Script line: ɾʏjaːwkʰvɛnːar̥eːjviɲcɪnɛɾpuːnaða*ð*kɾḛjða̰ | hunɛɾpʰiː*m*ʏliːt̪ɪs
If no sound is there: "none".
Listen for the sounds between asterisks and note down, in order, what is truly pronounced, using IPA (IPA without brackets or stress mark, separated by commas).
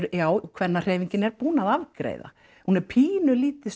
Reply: v, n